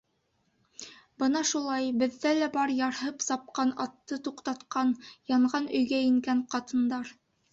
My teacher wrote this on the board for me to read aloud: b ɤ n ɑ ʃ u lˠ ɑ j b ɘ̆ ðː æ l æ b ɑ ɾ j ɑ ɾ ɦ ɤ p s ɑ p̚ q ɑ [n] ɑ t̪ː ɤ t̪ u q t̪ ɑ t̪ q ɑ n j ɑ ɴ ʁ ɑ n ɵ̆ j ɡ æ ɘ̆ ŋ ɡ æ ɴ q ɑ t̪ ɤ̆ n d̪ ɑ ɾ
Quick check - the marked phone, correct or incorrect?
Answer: correct